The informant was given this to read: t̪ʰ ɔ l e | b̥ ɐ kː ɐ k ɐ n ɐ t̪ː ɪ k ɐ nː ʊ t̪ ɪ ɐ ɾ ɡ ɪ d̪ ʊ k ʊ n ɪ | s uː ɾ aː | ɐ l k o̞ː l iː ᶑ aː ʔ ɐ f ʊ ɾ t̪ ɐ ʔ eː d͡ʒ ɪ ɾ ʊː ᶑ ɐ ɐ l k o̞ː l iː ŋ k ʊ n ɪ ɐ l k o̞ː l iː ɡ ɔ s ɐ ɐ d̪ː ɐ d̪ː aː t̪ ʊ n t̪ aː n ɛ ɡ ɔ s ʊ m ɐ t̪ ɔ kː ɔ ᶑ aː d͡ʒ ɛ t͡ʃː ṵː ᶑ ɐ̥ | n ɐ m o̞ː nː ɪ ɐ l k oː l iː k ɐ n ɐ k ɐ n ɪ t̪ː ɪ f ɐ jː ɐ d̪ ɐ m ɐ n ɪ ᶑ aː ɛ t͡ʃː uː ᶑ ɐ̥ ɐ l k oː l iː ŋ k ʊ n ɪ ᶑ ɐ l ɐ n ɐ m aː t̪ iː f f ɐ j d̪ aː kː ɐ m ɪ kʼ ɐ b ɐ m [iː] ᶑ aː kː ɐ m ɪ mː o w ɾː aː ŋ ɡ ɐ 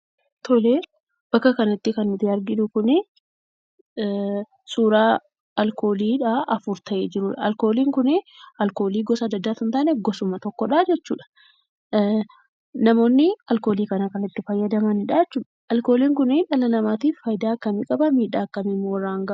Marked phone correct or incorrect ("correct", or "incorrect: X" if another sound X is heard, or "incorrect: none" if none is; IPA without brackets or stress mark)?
correct